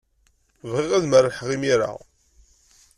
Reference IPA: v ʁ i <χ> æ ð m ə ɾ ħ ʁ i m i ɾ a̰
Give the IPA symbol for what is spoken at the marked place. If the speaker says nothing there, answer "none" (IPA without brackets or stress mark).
ʁ